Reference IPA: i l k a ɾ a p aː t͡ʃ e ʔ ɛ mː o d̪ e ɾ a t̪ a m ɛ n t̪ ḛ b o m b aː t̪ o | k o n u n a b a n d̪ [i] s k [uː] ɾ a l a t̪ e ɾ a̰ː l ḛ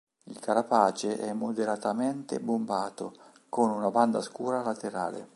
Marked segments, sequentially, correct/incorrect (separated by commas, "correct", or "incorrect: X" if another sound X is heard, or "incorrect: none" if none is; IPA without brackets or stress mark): incorrect: a, correct